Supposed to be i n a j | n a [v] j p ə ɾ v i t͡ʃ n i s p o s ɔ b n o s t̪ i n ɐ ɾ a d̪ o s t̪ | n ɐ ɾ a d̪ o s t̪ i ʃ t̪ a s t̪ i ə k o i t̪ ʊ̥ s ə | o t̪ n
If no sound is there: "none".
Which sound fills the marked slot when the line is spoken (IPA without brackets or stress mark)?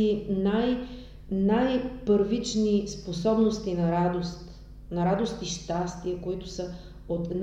none